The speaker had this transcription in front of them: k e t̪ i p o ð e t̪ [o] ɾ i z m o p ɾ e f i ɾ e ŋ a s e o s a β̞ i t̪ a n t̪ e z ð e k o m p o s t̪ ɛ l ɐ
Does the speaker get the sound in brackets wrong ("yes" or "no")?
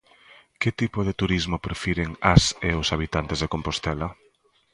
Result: yes